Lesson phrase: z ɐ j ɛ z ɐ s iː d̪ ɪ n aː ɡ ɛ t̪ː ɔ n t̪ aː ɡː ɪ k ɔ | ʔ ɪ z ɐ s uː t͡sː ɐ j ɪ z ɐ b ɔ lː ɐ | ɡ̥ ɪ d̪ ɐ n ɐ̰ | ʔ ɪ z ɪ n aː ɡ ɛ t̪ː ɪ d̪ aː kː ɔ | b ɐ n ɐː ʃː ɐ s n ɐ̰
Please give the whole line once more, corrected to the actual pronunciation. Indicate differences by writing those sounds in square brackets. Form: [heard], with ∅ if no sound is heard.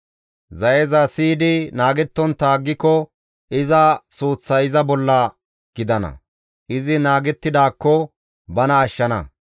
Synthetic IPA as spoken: z ɐ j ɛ z ɐ s iː d̪ ɪ n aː ɡ ɛ t̪ː ɔ n t̪ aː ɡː ɪ k ɔ | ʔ ɪ z ɐ s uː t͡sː ɐ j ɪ z ɐ b ɔ lː ɐ | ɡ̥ ɪ d̪ ɐ n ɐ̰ | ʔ ɪ z ɪ n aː ɡ ɛ t̪ː ɪ d̪ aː kː ɔ | b ɐ n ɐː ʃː ɐ [∅] n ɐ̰